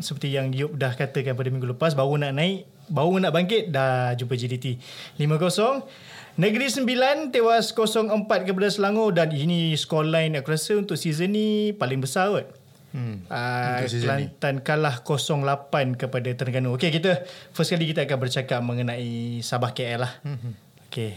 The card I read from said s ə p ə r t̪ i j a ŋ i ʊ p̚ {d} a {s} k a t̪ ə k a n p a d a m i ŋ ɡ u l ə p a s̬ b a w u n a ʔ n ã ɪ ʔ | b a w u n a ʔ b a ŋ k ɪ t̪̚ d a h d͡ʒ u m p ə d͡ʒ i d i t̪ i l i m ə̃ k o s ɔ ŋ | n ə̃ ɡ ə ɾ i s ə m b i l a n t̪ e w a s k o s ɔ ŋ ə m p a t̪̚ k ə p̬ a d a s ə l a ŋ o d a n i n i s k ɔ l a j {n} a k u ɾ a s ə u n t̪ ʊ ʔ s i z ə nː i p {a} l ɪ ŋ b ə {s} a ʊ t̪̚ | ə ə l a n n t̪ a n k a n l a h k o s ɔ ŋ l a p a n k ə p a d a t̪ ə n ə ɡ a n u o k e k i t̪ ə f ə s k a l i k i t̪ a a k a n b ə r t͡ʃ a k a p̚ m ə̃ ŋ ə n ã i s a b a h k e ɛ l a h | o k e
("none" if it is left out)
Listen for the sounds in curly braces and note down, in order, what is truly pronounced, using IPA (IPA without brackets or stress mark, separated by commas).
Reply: d, h, n, a, s